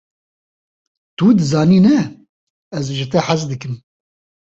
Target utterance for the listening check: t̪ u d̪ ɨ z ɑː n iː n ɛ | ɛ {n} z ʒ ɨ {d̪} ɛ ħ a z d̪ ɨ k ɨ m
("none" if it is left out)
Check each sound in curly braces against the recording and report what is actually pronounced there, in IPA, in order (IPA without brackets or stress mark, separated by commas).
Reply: none, t̪